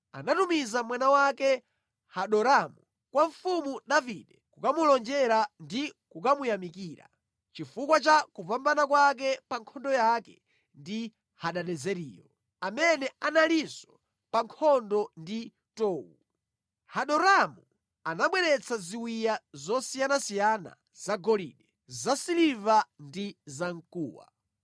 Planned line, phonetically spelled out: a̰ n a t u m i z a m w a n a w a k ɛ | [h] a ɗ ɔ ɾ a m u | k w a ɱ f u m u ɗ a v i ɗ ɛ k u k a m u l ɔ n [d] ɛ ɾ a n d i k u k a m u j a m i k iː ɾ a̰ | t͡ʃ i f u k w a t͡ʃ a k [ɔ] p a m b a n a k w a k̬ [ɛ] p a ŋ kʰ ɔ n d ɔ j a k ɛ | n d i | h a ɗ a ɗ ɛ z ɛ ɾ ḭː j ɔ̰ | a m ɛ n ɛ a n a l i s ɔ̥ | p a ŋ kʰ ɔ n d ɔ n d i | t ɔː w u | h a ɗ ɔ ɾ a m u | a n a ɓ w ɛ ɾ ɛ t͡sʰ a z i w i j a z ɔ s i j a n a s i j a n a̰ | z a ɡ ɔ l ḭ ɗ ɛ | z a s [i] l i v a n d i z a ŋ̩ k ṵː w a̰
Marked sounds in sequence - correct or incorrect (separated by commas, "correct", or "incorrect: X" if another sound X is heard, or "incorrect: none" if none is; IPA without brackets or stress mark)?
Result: correct, incorrect: d͡ʒ, incorrect: u, correct, correct